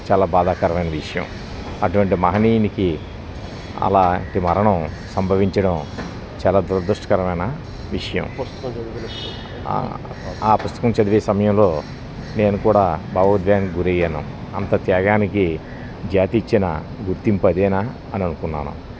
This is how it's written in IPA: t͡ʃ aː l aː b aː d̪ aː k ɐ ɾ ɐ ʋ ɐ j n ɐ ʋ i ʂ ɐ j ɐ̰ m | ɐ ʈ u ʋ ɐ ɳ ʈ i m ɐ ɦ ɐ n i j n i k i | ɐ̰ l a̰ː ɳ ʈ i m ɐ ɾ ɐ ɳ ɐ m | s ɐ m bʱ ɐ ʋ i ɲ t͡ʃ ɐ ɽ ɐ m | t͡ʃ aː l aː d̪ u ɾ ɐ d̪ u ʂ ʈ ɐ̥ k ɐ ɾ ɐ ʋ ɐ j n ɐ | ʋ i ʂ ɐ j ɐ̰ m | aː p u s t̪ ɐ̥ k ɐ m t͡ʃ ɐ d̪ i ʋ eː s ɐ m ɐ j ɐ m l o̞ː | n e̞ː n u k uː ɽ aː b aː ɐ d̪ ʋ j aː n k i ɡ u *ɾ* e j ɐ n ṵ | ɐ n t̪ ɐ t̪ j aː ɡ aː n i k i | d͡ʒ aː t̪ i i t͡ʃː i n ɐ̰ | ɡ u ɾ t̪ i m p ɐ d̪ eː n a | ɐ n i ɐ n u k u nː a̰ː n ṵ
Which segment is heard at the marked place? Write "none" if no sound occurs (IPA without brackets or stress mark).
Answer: ɾ